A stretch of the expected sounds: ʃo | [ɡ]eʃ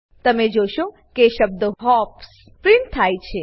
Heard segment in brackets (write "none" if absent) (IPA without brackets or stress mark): k